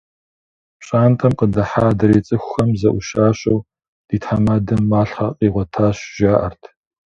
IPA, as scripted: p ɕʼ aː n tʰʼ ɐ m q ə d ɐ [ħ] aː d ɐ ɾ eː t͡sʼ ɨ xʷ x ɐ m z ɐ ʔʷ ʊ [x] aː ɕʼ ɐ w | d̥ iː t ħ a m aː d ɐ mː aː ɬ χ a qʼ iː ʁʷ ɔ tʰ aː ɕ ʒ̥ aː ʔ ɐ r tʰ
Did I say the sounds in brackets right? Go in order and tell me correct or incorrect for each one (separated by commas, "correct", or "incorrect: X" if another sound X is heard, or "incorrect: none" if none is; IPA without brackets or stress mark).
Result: correct, incorrect: ʃ